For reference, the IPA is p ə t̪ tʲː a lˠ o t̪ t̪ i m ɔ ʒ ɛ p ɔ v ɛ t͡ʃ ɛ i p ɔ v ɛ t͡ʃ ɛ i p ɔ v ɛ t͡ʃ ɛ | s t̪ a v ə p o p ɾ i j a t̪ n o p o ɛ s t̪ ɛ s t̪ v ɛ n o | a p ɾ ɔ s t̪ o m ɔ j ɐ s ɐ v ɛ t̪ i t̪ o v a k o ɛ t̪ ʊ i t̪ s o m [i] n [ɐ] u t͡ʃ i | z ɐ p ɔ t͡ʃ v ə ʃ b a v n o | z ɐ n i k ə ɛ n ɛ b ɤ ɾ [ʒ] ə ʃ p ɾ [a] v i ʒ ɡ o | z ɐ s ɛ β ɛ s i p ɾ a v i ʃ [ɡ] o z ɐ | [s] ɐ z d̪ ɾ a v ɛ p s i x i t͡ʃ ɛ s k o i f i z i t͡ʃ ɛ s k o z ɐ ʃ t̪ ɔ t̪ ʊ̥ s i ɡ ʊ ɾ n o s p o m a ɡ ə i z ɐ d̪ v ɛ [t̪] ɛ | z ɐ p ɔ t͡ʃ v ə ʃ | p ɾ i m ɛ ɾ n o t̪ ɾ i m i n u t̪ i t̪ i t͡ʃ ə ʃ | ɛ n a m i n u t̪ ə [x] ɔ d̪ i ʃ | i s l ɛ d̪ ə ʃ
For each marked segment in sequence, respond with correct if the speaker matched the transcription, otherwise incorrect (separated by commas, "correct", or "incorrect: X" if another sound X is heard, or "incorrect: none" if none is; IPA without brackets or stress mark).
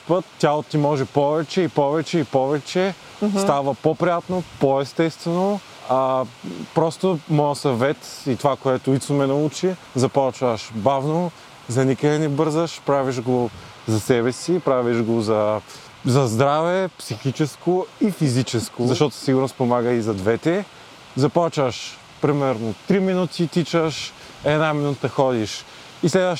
incorrect: ɛ, correct, incorrect: z, correct, correct, incorrect: z, correct, correct